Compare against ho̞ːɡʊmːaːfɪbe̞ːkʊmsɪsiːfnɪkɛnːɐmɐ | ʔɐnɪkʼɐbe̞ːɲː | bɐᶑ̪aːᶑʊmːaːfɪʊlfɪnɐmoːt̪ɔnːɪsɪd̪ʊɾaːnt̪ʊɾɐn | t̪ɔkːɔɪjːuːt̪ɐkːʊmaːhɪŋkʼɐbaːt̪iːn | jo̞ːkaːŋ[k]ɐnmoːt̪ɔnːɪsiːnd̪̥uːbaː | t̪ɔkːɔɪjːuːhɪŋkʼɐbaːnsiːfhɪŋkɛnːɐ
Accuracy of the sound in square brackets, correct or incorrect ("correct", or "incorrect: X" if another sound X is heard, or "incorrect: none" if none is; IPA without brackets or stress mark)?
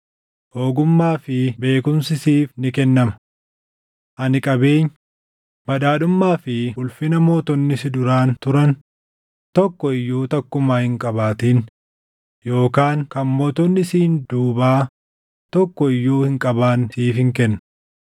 correct